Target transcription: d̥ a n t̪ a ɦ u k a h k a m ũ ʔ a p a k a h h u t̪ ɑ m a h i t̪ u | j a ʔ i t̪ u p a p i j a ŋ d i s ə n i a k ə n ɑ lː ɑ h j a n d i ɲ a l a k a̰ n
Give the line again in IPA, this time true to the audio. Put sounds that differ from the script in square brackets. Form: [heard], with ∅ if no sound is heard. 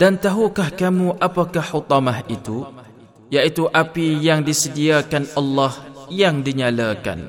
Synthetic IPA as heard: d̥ a n t̪ a ɦ u k a h k a m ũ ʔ a p a k a h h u t̪ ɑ m a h i t̪ u | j a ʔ i t̪ u [ʔ] a p i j a ŋ d i s ə [d] i a k [a] n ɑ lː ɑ h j a [ŋ] d i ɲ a l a k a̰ n